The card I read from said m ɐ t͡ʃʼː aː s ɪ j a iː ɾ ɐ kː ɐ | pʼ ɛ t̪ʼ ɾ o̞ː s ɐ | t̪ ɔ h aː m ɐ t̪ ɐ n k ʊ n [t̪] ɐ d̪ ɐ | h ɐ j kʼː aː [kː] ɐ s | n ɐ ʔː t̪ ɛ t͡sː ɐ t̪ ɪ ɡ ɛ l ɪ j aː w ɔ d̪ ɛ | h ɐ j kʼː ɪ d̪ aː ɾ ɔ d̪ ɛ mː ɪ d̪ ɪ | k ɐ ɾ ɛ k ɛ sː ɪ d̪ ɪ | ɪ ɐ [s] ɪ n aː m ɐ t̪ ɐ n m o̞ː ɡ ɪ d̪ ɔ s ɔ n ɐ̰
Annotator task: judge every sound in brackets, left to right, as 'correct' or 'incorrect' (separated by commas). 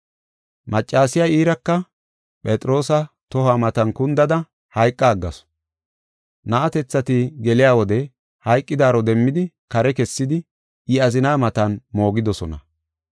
incorrect, incorrect, incorrect